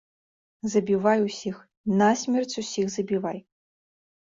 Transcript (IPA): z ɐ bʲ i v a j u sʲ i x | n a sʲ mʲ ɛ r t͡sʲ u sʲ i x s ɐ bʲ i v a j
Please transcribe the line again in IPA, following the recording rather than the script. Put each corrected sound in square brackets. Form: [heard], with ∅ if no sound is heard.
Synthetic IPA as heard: z ɐ bʲ i v a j u sʲ i x | n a sʲ mʲ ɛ r t͡sʲ u sʲ i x [z] ɐ bʲ i v a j